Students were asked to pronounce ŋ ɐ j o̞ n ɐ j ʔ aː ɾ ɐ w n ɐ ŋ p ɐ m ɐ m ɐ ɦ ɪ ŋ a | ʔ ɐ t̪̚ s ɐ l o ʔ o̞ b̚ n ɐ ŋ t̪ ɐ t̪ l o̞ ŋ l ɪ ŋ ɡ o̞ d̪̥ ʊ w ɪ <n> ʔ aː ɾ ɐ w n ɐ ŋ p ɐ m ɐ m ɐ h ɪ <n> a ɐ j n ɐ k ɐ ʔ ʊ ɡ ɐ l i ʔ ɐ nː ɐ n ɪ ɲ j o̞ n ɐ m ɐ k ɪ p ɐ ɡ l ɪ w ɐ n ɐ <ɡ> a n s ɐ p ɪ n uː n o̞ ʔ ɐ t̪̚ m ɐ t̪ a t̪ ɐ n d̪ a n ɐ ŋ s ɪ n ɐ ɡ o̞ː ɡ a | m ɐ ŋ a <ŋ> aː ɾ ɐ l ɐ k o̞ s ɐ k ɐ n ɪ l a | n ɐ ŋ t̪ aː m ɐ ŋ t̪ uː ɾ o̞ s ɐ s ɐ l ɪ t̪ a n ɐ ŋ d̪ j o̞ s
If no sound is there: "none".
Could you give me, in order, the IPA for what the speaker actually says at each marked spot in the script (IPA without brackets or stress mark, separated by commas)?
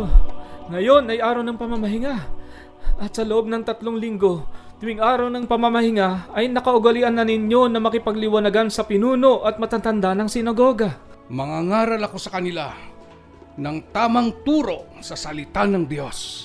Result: ŋ, ŋ, ɡ, ŋ